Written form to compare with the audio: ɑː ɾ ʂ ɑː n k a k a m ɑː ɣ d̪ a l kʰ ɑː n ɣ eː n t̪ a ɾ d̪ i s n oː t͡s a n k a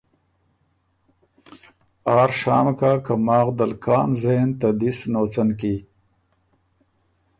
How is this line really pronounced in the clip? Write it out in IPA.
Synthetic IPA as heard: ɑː ɾ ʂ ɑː m k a k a m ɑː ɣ d̪ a l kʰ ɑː n z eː n t̪ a d̪ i s n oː t͡s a n k i